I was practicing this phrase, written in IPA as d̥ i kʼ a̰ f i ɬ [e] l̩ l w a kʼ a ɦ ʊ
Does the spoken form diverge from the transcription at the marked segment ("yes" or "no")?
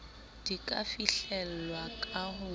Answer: yes